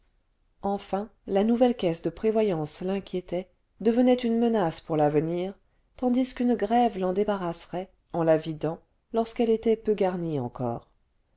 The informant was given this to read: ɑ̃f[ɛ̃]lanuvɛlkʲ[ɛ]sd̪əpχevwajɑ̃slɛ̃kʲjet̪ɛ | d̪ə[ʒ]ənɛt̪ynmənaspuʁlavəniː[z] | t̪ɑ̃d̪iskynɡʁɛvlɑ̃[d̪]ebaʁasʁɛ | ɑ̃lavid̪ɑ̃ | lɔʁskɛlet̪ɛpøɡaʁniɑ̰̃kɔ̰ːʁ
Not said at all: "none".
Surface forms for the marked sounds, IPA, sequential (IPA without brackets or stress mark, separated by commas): ɛ̃, ɛ, v, ʁ, d̪